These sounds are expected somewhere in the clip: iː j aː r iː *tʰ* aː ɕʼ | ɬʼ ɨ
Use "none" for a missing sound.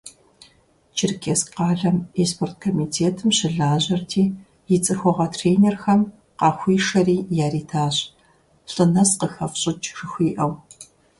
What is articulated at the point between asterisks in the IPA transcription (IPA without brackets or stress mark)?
tʰ